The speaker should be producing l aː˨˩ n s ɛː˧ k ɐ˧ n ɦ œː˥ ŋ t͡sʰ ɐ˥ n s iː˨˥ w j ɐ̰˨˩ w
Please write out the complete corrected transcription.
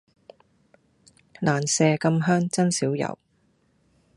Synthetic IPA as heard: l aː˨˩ n s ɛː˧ k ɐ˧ m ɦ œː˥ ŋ t͡s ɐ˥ n s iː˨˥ w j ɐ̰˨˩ w